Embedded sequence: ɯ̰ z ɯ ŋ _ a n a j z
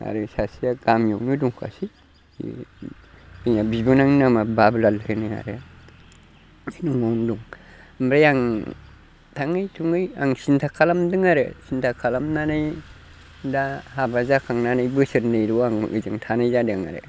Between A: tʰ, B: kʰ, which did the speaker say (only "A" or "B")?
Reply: A